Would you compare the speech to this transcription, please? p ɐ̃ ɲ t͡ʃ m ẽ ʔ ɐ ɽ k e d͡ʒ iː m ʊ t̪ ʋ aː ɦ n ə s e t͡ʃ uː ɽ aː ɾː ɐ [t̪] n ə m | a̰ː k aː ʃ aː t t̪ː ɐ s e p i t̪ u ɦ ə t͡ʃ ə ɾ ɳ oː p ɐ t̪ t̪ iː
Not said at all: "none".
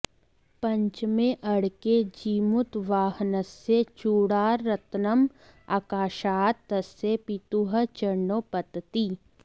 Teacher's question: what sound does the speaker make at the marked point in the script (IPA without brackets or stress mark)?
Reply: t̪